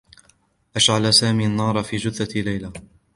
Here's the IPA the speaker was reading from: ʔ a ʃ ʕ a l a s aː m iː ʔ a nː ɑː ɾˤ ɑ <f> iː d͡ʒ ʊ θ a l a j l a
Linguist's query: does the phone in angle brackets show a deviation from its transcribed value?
no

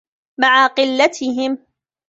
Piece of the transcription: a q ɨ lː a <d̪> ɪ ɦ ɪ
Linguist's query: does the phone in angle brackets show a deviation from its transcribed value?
yes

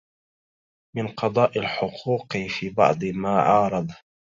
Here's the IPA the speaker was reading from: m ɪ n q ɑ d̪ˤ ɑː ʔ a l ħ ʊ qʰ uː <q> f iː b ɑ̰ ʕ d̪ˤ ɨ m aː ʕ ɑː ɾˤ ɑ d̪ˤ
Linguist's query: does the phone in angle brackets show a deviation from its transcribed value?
no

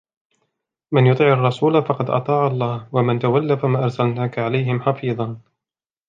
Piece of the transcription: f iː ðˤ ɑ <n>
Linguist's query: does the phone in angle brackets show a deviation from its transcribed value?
no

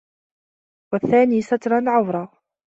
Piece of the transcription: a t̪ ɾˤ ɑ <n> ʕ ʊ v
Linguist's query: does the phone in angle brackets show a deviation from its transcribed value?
no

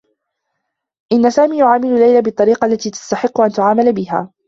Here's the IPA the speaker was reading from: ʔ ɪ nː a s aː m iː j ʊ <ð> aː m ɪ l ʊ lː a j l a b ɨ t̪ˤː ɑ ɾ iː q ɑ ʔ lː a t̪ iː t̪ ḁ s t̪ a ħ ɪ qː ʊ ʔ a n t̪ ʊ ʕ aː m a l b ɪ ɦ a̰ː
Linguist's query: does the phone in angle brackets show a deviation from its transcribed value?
yes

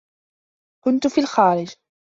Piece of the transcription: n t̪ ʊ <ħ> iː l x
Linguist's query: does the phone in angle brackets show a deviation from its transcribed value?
yes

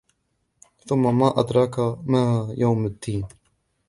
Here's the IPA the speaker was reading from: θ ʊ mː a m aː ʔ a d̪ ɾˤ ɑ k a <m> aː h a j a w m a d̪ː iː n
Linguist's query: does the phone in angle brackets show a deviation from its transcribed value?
no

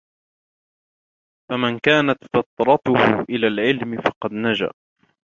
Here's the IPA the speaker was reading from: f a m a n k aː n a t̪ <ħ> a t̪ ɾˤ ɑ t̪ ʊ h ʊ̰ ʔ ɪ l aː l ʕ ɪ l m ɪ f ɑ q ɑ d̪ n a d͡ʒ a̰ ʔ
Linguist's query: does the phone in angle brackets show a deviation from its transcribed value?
yes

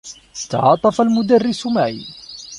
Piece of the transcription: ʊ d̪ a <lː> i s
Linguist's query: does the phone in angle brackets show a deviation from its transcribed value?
yes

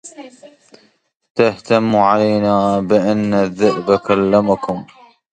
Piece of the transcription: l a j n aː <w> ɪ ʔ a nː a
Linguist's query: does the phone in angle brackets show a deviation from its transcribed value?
yes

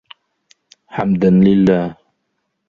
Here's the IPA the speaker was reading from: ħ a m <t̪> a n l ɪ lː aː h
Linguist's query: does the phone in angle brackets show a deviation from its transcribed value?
yes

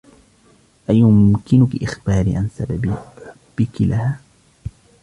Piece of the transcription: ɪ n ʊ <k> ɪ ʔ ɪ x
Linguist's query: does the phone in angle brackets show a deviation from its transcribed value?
no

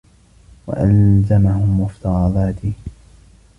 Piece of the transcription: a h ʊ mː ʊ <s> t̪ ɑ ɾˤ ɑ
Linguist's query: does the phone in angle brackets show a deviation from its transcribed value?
yes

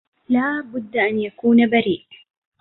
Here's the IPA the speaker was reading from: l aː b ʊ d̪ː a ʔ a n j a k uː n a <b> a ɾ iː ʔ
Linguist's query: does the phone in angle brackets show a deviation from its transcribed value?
no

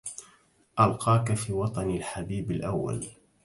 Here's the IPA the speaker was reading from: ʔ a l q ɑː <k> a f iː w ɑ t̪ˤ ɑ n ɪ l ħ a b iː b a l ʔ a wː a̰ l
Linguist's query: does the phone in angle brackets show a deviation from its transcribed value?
no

